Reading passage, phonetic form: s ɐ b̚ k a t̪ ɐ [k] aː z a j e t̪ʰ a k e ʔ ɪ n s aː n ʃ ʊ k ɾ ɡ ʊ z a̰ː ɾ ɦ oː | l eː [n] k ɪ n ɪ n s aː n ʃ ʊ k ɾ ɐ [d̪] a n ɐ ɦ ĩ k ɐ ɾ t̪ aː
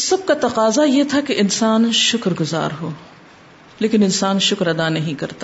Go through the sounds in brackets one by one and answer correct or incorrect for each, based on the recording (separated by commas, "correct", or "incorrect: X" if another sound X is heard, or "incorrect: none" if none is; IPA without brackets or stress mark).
incorrect: q, incorrect: none, correct